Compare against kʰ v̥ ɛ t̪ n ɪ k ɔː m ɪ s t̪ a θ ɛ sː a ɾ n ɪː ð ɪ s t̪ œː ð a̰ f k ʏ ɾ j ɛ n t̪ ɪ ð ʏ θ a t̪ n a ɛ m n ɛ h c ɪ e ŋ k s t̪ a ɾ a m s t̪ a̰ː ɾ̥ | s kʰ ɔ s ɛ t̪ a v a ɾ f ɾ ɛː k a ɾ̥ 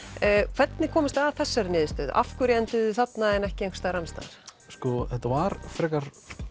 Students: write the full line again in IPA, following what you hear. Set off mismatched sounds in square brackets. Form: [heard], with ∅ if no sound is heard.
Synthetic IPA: kʰ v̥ ɛ t̪ n ɪ [kʰ] ɔː m ɪ s t̪ a θ ɛ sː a ɾ n ɪː ð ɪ s t̪ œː ð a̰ f k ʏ ɾ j ɛ n t̪ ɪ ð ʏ θ a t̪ n a ɛ [∅] n ɛ h c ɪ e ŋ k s t̪ a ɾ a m s t̪ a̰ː ɾ̥ | s [k] ɔ [θ] ɛ t̪ a v a ɾ f ɾ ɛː k a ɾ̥